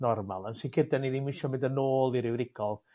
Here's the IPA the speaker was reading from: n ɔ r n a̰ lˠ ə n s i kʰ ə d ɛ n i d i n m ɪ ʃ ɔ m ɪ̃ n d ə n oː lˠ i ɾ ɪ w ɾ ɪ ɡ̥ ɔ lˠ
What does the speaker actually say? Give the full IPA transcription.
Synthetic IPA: n ɔ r m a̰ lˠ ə n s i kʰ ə d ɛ n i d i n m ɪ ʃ ɔ m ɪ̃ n d ə n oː lˠ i ɾ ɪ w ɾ ɪ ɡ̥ ɔ lˠ